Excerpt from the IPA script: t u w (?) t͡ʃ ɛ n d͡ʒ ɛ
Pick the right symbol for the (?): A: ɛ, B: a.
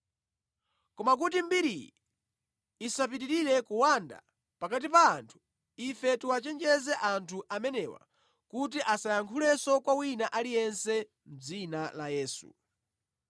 B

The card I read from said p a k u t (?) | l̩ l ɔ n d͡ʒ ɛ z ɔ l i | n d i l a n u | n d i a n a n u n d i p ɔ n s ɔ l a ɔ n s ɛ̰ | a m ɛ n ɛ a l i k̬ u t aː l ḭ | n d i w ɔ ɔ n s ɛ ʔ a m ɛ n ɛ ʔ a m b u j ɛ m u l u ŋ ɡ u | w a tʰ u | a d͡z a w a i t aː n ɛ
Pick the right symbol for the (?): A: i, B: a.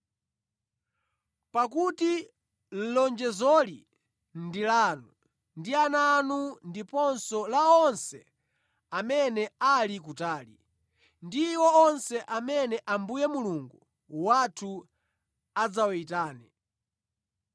A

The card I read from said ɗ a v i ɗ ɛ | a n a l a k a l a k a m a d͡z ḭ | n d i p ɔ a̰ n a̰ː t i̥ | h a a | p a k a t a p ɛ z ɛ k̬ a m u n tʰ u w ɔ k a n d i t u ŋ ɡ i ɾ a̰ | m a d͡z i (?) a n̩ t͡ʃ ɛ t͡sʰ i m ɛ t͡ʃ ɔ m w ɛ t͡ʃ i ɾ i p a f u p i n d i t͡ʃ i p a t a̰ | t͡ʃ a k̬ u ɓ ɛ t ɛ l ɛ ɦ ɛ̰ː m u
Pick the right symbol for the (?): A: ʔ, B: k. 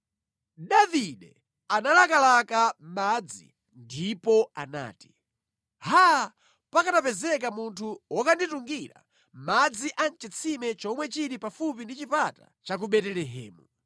A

